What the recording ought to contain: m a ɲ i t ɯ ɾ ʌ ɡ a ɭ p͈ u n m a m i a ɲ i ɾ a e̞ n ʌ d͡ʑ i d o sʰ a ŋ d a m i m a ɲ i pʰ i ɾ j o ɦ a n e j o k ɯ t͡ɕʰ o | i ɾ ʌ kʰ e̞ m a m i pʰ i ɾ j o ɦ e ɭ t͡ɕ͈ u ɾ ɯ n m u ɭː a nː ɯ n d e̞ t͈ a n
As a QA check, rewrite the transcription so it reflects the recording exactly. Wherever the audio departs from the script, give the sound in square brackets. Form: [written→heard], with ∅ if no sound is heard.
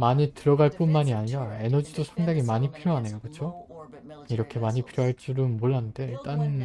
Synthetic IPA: m a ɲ i t ɯ ɾ ʌ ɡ a ɭ p͈ u n m a [m→ɲ] i a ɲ i ɾ a e̞ n ʌ d͡ʑ i d o sʰ a ŋ d a [m→ŋ] i m a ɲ i pʰ i ɾ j o ɦ a n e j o k ɯ t͡ɕʰ o | i ɾ ʌ kʰ e̞ m a [m→ɲ] i pʰ i ɾ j o ɦ [e→a] ɭ t͡ɕ͈ u ɾ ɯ n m [u→o] ɭː a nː ɯ n d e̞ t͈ a n